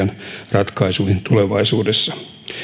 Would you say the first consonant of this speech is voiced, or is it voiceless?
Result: voiced